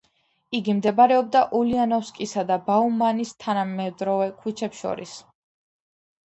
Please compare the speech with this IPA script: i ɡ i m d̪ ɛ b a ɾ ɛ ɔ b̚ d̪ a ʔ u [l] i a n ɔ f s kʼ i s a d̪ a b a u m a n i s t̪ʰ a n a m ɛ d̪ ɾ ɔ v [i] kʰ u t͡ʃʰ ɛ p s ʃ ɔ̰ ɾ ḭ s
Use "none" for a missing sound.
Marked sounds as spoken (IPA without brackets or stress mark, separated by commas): l, ɛ